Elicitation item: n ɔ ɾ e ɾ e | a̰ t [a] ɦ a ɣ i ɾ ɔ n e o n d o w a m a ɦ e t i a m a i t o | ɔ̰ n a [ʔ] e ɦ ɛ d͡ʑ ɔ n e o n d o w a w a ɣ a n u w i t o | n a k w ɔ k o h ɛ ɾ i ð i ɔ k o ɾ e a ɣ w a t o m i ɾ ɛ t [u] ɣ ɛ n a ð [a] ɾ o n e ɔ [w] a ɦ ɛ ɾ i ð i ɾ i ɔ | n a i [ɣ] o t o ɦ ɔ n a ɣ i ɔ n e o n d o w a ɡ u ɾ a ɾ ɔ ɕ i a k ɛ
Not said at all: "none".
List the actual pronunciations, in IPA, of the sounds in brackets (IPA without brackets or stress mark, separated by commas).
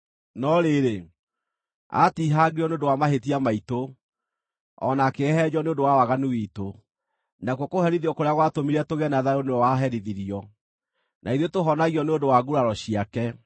i, k, o, a, w, ð